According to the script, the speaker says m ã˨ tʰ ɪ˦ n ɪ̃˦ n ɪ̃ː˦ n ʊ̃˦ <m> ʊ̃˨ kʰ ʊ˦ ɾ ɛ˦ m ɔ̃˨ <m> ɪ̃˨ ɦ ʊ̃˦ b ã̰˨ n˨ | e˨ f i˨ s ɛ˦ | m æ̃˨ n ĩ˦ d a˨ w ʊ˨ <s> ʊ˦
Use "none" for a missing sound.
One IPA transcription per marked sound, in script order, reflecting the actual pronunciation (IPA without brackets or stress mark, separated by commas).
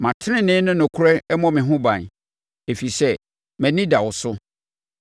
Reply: n, m, s